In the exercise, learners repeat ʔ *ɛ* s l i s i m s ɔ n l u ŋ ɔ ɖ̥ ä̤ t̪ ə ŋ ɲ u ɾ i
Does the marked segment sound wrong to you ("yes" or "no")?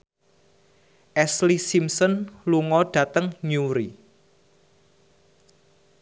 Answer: no